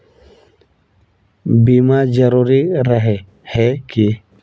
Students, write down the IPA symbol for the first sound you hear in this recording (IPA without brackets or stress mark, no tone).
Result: b